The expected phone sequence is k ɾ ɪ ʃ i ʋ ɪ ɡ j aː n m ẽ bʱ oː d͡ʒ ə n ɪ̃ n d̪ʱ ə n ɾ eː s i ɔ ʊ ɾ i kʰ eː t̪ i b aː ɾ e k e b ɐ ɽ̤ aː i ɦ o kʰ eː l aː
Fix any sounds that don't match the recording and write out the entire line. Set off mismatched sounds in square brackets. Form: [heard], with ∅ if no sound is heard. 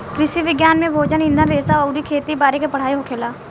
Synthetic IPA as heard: k ɾ ɪ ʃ i ʋ ɪ ɡ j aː n m ẽ bʱ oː d͡ʒ ə n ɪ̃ n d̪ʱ ə n ɾ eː s [a] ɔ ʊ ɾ i kʰ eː t̪ i b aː ɾ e k e [p] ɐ ɽ̤ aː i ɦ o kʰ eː l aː